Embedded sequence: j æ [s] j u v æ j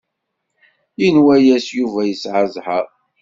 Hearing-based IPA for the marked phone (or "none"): s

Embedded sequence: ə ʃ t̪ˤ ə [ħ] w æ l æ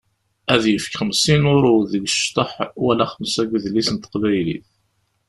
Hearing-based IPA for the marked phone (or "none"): ħ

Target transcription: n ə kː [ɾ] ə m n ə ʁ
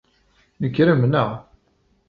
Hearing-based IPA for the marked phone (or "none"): ɾ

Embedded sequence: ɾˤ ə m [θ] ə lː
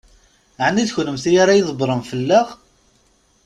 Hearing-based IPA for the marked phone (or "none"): f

